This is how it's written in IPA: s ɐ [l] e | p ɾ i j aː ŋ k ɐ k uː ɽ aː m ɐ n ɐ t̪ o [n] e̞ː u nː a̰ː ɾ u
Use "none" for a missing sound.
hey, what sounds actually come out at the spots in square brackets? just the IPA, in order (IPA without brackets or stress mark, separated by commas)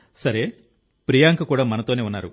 ɾ, n